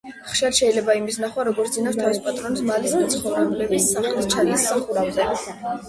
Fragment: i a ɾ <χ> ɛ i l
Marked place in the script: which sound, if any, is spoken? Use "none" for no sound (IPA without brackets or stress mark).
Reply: ʃ